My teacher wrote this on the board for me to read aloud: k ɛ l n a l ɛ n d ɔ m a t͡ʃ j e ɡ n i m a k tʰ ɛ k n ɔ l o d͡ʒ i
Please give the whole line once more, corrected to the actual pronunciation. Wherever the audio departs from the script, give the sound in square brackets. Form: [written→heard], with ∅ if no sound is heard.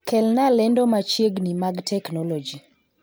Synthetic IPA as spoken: k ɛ l n a l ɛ n d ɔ m a t͡ʃ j e ɡ n i m a [k→ɡ] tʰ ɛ k n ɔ l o d͡ʒ i